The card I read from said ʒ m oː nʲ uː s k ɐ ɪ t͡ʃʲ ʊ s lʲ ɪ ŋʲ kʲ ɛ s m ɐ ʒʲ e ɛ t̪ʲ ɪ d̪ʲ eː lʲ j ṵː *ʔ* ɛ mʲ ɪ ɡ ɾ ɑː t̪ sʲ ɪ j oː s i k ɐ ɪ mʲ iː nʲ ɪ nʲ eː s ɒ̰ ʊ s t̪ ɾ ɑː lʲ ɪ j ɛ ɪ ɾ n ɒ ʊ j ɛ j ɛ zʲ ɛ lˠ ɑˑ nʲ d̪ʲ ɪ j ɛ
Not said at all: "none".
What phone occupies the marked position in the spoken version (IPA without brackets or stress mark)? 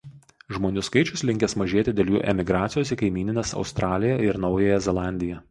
ʔ